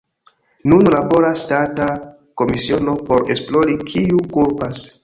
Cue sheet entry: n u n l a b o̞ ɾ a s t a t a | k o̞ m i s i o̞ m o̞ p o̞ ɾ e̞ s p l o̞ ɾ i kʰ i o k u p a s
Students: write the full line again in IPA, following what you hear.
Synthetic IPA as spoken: n u n l a b o̞ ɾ a s t a t a | k o̞ m i s i o̞ n o̞ p o̞ ɾ e̞ s p l o̞ ɾ i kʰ i u k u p a s